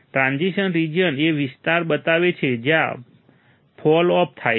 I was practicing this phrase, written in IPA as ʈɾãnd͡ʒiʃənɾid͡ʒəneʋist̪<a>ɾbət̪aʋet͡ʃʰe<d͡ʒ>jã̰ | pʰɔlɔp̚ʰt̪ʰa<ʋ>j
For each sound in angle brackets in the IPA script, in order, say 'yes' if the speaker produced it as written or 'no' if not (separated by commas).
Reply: yes, yes, no